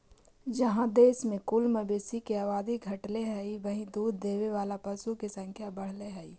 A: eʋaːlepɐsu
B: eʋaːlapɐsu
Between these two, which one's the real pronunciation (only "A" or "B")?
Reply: B